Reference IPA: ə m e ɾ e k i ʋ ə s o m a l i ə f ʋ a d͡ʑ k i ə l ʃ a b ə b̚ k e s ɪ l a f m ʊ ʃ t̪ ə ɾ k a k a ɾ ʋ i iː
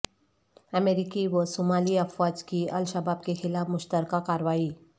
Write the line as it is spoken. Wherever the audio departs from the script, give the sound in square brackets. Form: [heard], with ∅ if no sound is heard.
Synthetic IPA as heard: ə m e ɾ [i] k i ʋ ə s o m a l i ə f ʋ a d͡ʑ k i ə l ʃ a b [a] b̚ k e [x] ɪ l a f m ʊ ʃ t̪ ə ɾ k a k a ɾ ʋ [a] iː

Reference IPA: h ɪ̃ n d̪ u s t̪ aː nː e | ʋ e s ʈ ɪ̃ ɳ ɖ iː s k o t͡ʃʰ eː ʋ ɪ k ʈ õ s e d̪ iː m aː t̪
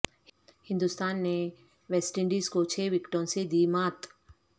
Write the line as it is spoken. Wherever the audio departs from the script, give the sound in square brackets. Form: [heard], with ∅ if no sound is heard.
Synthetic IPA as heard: h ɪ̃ n d̪ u s t̪ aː nː e | ʋ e s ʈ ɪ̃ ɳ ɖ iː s k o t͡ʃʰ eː ʋ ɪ k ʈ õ s e d̪ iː m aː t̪

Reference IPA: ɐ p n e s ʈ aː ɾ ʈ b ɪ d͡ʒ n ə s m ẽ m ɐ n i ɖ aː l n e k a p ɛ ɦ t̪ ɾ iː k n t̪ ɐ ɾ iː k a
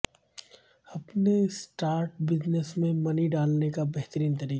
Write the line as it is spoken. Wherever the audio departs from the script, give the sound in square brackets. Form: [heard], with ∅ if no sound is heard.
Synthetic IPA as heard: ɐ p n e s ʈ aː ɾ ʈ b ɪ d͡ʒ n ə s m ẽ m ɐ n i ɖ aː l n e k a [b] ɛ ɦ t̪ ɾ iː [∅] n t̪ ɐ ɾ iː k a

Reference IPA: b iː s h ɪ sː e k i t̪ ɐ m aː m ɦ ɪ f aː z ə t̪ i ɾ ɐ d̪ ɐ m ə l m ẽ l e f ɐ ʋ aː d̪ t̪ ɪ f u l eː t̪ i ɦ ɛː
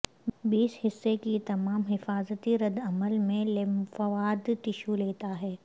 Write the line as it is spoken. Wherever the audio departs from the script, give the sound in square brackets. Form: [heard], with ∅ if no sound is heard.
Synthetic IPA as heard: b iː s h ɪ sː e k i t̪ ɐ m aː m ɦ ɪ f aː z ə t̪ i ɾ ɐ d̪ ɐ m ə l m ẽ l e f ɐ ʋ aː d̪ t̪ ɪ [ʃ] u l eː t̪ [a] ɦ ɛː

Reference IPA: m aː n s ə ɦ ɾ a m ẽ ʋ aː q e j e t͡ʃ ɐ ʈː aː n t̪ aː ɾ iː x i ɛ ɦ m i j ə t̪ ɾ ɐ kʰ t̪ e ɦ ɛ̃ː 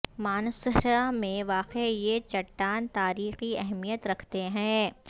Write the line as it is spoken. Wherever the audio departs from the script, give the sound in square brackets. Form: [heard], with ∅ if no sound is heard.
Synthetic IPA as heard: m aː n s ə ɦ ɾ a m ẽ ʋ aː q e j e t͡ʃ ɐ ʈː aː n t̪ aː ɾ iː x i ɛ ɦ m i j ə t̪ ɾ ɐ kʰ t̪ e ɦ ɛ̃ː

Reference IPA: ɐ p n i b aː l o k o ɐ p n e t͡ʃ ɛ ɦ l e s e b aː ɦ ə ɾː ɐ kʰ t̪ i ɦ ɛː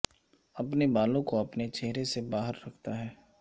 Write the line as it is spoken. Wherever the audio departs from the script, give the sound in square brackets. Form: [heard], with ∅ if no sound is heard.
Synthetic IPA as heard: ɐ p n [e] b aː l [õ] k o ɐ p n e t͡ʃ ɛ ɦ [ɾ] e s e b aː ɦ ə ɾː ɐ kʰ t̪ [a] ɦ ɛː

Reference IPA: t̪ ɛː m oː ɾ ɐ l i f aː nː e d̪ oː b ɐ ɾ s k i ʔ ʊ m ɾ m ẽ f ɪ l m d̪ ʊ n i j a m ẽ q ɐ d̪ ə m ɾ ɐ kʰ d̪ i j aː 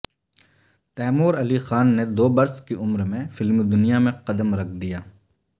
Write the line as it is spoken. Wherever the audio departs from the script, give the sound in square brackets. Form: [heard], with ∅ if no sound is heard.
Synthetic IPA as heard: t̪ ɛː m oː ɾ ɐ l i [x] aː nː e d̪ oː b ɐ ɾ s k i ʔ ʊ m ɾ m ẽ f ɪ l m d̪ ʊ n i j a m ẽ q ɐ d̪ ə m ɾ ɐ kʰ d̪ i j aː

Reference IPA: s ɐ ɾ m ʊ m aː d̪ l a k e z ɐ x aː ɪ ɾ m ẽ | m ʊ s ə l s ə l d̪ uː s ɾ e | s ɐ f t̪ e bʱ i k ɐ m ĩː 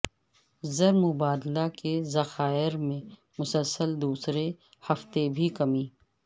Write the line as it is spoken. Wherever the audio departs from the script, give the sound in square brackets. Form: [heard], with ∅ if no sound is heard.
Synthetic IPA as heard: [z] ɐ ɾ m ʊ [b] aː d̪ l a k e z ɐ x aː ɪ ɾ m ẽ | m ʊ s ə l s ə l d̪ uː s ɾ e | [h] ɐ f t̪ e bʱ i k ɐ m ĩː

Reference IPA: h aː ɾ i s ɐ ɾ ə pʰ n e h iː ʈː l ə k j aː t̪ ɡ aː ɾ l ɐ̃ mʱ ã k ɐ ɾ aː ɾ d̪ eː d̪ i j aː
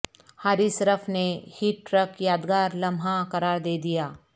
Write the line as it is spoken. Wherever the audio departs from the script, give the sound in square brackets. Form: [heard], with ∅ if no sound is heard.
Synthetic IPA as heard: h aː ɾ i s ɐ ɾ ə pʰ n e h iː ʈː [ɾ] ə k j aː [d̪] ɡ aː ɾ l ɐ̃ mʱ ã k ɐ ɾ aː ɾ d̪ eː d̪ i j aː

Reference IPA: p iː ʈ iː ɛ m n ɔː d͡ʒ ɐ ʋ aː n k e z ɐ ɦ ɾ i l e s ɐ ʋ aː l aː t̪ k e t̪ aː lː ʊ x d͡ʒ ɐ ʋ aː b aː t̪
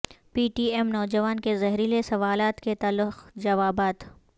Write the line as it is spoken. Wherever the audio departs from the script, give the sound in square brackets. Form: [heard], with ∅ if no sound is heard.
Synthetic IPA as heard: p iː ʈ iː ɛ m n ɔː d͡ʒ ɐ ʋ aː n k e z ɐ ɦ ɾ i l e s ɐ ʋ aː l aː t̪ k e t̪ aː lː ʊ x d͡ʒ ɐ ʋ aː b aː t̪

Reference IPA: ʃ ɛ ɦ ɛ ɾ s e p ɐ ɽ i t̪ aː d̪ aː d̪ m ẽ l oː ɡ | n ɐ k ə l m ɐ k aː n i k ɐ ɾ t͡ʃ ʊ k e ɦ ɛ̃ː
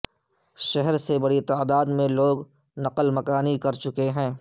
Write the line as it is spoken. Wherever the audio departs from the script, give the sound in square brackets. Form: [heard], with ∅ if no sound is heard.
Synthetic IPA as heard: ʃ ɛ ɦ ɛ ɾ s e [b] ɐ ɽ i t̪ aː d̪ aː d̪ m ẽ l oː ɡ | n ɐ [q] ə l m ɐ k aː n i k ɐ ɾ t͡ʃ ʊ k e ɦ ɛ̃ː

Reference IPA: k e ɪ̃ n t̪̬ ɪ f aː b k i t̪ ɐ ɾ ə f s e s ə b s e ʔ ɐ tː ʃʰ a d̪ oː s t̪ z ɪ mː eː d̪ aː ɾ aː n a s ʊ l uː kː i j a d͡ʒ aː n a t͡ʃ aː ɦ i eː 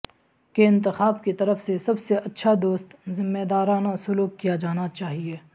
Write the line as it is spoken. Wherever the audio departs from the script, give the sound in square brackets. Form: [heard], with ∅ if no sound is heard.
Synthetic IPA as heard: k e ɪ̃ n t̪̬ ɪ [x] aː b k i t̪ ɐ ɾ ə f s e s [ɐ] b s e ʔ ɐ tː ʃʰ a d̪ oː s t̪ z ɪ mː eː d̪ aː ɾ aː n a s ʊ l uː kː i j a d͡ʒ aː n a t͡ʃ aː ɦ i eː

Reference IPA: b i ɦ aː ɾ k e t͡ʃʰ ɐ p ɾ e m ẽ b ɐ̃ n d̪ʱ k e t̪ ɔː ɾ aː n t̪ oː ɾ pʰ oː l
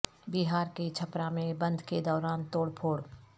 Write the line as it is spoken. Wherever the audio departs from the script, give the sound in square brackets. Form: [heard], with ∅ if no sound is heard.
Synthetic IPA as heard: b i ɦ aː ɾ k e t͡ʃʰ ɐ p ɾ [a] m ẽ b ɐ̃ n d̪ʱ k e [d̪] ɔː ɾ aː n t̪ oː [ɽ] pʰ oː [ɽ]

